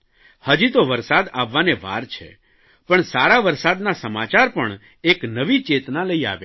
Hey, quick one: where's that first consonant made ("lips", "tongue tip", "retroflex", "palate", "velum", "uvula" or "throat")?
throat